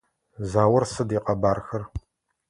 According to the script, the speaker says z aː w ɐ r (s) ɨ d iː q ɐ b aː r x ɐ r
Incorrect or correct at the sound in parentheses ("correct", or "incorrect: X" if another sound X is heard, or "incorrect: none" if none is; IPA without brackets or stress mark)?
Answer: correct